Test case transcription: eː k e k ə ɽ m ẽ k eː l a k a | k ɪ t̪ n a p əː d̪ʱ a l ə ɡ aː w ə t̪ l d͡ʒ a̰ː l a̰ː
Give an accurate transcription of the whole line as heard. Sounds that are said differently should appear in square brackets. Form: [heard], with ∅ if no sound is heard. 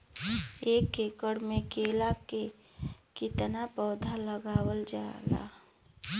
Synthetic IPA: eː k e k ə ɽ m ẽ k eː l a k [e] | k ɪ t̪ n a p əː d̪ʱ a l ə ɡ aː w ə [∅] l d͡ʒ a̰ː l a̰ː